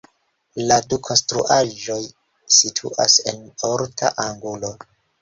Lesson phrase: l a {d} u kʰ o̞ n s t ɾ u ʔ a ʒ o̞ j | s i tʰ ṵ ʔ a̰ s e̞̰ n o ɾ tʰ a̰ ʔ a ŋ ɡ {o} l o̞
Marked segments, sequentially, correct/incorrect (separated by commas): correct, incorrect